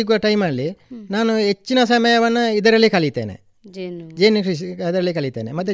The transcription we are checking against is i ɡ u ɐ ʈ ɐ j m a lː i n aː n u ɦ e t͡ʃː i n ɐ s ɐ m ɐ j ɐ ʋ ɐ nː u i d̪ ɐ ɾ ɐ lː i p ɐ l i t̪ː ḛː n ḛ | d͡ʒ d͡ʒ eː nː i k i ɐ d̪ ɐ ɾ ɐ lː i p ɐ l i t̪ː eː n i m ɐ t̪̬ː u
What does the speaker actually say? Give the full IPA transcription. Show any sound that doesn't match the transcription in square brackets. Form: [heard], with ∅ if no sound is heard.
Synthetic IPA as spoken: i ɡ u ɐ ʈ ɐ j m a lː i n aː n u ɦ e t͡ʃː i n ɐ s ɐ m ɐ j ɐ ʋ ɐ nː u i d̪ ɐ ɾ ɐ lː i [k] ɐ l i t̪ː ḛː n ḛ | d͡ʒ d͡ʒ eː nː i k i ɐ d̪ ɐ ɾ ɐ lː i [k] ɐ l i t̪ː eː n [e] m ɐ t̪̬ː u